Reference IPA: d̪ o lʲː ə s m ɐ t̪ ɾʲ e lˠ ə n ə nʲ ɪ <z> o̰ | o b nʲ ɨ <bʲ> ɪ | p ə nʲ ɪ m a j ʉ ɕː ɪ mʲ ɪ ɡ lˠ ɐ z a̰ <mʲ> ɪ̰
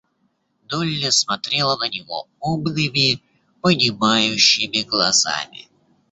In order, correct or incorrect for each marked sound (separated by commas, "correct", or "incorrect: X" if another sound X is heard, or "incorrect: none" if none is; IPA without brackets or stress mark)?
incorrect: v, incorrect: mʲ, correct